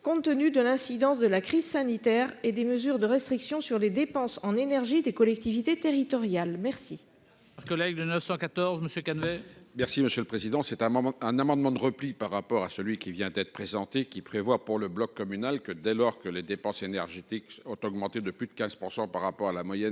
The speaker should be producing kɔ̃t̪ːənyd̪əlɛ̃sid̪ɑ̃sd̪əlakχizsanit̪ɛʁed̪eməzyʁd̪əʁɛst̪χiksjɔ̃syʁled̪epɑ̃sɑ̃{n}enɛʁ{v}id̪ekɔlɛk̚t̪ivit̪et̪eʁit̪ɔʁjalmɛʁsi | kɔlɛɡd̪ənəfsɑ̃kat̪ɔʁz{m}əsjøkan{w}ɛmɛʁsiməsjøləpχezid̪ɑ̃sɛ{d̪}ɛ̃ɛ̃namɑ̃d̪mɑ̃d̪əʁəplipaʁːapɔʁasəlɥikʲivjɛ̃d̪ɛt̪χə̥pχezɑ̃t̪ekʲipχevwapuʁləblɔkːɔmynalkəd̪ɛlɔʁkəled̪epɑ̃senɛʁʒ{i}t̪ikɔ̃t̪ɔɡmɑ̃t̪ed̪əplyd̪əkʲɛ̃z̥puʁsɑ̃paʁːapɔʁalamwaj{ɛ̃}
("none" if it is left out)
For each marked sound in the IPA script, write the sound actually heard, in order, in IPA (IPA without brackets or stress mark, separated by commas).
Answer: n, ʒ, m, v, t̪, e, ɛ